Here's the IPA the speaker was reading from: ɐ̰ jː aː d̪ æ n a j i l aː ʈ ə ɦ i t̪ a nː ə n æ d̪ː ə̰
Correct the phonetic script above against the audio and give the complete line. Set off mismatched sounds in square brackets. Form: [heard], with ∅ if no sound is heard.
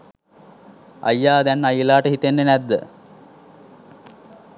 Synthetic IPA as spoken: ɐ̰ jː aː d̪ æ n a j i l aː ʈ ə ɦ i t̪ [e] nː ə n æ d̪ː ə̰